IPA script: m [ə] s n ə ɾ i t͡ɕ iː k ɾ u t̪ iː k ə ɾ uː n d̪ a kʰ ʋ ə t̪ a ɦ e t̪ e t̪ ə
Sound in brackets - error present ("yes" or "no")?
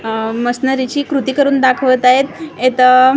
no